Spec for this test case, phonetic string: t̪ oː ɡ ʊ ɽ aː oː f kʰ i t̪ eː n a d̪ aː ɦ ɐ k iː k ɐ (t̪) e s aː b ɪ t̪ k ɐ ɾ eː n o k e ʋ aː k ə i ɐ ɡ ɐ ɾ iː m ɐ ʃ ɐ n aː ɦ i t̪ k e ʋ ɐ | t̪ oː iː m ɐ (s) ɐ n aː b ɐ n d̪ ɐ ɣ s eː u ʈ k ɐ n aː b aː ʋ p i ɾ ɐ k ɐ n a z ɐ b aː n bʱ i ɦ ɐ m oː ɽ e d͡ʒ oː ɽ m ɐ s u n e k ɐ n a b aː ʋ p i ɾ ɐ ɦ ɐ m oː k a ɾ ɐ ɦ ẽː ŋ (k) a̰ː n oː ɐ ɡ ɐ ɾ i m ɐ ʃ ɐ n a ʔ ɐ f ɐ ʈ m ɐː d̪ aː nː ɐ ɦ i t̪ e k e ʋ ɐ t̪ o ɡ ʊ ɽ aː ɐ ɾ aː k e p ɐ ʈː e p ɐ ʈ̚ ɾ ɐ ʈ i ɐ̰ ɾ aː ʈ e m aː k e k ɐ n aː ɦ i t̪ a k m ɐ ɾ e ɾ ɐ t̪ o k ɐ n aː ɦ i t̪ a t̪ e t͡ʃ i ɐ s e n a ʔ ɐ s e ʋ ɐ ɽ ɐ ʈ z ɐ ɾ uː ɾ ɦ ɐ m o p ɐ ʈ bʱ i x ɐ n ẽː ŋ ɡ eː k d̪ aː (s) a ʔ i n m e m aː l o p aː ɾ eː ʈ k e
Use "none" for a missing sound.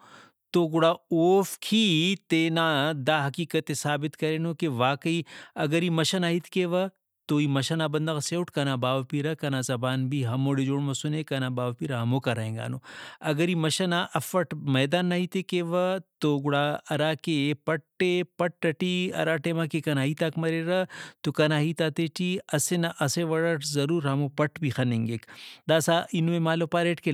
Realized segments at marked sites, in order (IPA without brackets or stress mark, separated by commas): t̪, ʃ, ɡ, s